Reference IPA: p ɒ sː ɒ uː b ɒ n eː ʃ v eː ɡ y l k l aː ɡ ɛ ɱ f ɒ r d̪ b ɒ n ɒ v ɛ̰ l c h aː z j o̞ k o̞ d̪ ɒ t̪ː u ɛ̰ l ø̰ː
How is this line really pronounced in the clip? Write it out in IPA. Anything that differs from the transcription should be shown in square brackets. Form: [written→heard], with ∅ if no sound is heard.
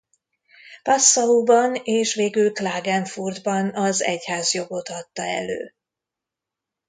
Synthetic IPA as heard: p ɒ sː ɒ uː b ɒ n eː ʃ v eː ɡ y l k l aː ɡ ɛ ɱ f [ɒ→u] r d̪ b ɒ n ɒ [v→z] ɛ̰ [l→∅] c h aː z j o̞ [k→ɡ] o̞ [d̪→t̪] ɒ t̪ː [u→ɒ] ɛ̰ l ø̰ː